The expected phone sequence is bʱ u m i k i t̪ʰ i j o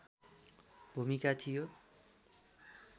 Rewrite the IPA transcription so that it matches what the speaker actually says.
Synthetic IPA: bʱ u m i k a t̪ʰ i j o